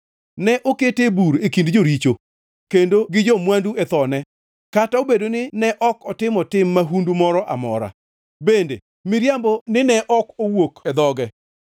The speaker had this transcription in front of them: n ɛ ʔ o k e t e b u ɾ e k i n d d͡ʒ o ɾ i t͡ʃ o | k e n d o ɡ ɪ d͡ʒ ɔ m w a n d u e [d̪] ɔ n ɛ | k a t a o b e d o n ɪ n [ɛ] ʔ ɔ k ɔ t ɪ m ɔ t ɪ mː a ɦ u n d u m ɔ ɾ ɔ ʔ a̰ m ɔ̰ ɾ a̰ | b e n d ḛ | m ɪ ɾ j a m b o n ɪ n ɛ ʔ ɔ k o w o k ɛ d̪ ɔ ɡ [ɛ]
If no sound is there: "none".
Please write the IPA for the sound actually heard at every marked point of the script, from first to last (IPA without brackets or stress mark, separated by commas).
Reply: t̪, ɛ, ɛ